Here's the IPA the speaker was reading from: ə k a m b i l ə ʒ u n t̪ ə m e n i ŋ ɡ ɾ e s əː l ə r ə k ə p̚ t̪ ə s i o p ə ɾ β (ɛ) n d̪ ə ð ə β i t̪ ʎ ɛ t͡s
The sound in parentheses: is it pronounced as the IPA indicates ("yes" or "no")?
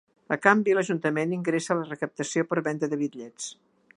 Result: yes